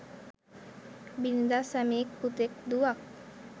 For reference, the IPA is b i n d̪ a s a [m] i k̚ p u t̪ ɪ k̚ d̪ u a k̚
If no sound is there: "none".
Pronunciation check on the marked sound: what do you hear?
m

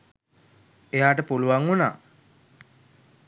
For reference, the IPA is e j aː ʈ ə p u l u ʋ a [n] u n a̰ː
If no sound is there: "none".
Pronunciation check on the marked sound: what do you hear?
ŋ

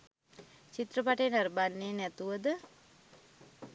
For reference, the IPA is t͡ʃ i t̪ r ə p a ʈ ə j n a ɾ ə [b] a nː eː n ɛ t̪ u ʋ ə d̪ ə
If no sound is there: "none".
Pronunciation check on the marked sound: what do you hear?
b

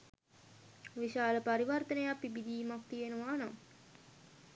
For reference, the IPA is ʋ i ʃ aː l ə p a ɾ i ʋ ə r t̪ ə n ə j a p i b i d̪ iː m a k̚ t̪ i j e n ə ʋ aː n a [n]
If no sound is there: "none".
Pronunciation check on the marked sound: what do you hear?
m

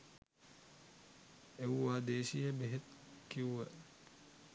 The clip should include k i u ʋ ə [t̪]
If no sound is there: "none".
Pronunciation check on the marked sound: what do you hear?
none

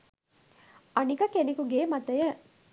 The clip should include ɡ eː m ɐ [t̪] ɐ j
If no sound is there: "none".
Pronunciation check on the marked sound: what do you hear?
t̪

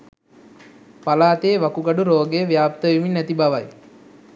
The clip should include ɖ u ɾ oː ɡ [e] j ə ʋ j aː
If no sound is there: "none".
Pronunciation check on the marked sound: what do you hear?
e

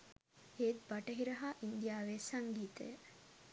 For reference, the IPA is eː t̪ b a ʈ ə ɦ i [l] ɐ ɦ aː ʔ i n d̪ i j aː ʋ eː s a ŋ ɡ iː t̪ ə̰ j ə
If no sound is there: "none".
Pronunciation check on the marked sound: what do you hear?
ɾ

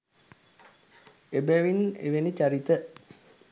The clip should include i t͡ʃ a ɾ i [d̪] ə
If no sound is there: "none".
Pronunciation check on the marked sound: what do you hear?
t̪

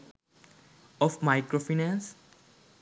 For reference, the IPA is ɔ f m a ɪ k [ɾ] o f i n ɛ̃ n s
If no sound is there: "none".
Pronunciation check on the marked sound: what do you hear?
ɾ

